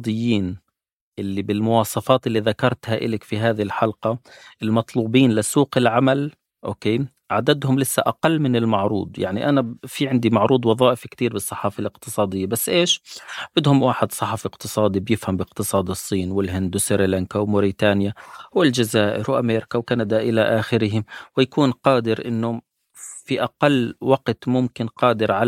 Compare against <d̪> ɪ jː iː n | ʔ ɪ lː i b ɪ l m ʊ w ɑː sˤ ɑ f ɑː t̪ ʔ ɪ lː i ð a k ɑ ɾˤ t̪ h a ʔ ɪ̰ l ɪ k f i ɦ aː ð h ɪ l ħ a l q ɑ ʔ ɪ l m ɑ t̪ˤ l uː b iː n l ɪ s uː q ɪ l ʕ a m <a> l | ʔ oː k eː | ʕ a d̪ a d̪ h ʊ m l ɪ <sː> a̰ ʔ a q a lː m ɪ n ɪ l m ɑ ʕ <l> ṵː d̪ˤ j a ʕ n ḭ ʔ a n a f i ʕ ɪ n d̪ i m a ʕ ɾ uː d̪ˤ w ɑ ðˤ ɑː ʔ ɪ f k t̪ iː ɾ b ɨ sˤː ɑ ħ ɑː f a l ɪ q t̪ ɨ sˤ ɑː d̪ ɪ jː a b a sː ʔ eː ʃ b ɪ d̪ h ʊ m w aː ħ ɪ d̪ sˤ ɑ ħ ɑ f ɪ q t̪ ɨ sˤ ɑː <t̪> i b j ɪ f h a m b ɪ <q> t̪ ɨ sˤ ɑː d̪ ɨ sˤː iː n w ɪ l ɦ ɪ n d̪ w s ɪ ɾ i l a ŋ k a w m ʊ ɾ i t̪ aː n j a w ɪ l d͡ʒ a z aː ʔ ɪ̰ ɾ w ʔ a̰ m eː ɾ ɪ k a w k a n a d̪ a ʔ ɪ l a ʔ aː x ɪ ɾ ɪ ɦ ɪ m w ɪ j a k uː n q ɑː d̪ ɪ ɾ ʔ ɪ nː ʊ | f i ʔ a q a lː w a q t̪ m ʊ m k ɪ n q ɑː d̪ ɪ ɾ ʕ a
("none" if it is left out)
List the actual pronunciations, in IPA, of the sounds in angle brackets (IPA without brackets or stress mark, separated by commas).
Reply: d̪, a, sː, ɾ, d̪, q